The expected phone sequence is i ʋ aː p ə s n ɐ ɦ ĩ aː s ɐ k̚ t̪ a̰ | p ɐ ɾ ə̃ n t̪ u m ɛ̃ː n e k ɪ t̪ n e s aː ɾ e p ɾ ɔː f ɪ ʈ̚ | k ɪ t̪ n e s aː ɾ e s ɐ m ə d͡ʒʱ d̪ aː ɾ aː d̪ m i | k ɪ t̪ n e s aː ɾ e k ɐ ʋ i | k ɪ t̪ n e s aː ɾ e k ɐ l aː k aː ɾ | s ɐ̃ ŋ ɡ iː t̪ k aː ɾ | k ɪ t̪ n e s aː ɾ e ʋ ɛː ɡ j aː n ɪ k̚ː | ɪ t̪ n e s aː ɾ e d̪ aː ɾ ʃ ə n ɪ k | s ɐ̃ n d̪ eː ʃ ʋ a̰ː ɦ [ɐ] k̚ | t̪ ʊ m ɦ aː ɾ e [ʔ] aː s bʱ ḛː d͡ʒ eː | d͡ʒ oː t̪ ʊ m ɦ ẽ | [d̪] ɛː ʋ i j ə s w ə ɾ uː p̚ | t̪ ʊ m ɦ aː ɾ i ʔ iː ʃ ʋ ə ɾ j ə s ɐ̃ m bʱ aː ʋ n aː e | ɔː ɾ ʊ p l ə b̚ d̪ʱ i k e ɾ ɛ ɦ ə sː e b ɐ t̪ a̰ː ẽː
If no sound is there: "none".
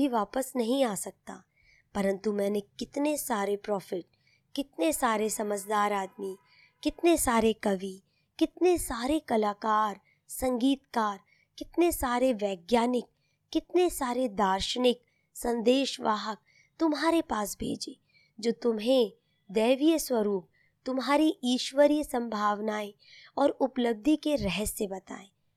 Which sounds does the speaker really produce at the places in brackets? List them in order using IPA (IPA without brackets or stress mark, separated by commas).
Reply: ə, p, d̪